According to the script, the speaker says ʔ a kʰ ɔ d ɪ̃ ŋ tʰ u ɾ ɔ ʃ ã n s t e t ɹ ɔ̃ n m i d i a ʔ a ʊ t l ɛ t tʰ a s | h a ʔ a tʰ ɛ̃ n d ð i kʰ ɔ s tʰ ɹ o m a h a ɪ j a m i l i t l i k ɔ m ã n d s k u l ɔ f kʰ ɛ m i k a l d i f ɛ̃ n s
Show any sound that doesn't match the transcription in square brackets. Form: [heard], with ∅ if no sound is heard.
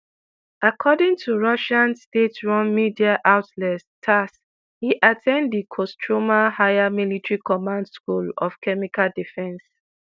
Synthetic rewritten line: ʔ a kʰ ɔ d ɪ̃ ŋ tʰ u [ɹ] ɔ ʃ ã n s t e t ɹ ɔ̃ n m i d i a ʔ a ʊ t l ɛ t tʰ a s | h [i] ʔ a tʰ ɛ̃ n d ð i kʰ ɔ s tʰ ɹ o m a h a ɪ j a m i l i t [ɹ] i k ɔ m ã n d s k u l ɔ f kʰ ɛ m i k a l d i f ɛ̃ n s